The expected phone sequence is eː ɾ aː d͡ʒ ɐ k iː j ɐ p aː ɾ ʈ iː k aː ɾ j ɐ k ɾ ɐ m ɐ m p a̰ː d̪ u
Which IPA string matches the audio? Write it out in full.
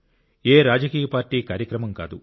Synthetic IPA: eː ɾ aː d͡ʒ ɐ k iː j ɐ p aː ɾ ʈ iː k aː ɾ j ɐ k ɾ ɐ m ɐ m k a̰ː d̪ u